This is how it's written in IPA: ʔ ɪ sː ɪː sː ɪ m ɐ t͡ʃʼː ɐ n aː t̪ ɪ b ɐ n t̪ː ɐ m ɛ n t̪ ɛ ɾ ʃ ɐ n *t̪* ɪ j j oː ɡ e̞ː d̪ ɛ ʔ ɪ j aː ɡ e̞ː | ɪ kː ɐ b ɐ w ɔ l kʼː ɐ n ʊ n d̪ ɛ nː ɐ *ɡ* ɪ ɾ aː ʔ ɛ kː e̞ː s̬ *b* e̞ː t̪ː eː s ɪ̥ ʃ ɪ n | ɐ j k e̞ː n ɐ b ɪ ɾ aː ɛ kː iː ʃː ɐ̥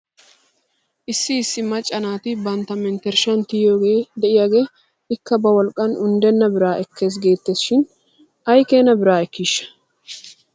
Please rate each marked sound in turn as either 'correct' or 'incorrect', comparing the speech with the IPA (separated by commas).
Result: correct, incorrect, incorrect